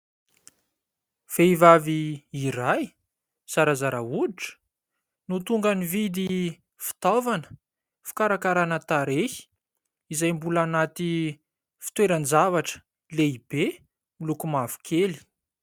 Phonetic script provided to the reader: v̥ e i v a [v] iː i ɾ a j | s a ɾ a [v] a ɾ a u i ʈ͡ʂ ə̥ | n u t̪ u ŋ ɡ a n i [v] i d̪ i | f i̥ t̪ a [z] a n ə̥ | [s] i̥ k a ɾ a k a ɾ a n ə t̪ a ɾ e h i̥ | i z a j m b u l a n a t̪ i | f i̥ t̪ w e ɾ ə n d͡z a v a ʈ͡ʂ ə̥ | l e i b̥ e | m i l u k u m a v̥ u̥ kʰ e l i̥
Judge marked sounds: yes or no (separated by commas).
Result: yes, no, yes, no, no